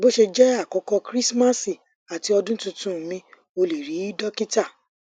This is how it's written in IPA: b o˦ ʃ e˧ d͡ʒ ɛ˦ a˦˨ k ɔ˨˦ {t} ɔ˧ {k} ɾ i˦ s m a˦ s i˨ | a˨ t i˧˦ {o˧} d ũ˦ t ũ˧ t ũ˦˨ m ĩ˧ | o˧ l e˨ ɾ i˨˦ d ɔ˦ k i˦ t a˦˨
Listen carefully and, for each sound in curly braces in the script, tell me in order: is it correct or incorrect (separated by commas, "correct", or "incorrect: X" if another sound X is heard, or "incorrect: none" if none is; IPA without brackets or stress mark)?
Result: incorrect: k, correct, incorrect: ɔ˧